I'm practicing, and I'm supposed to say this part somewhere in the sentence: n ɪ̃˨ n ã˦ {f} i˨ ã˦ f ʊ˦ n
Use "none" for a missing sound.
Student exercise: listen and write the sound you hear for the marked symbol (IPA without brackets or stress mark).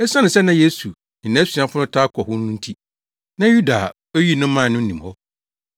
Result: s